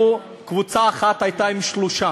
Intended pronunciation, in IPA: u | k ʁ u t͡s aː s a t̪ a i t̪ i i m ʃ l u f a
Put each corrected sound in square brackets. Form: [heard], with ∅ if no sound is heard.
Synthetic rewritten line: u | k [v] u t͡s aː [χ] a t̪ a [j] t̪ [a] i m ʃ l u [ʃ] a